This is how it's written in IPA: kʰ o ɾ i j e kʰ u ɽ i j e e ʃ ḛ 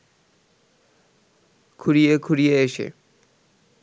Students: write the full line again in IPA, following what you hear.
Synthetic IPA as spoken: kʰ u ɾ i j e kʰ u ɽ i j e e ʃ ḛ